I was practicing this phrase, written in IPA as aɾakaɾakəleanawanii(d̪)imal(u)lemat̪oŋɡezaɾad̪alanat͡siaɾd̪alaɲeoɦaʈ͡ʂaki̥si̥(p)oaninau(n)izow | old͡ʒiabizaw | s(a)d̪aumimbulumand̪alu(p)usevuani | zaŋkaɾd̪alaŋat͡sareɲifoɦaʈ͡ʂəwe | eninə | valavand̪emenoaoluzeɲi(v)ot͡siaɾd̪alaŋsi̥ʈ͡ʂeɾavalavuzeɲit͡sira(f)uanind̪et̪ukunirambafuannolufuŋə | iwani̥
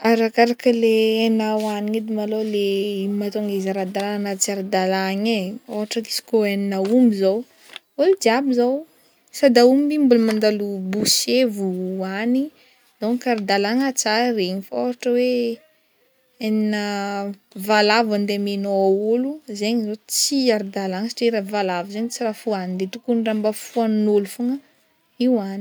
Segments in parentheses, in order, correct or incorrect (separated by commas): correct, incorrect, incorrect, incorrect, correct, incorrect, incorrect, correct